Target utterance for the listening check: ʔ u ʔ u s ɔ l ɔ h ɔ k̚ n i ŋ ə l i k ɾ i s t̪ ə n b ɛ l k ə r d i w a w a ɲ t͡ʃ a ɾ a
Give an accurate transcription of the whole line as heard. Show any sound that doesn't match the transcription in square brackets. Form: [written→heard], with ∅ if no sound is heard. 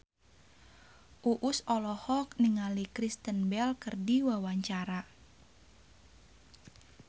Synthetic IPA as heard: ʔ u ʔ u s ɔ l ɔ h ɔ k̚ n i ŋ [ə→a] l i k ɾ i s t̪ ə n b ɛ l k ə r d i w a w a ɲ t͡ʃ a ɾ a